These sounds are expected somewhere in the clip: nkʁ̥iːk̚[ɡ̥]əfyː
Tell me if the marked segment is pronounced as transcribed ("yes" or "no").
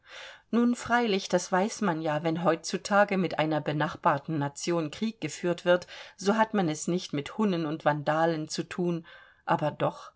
yes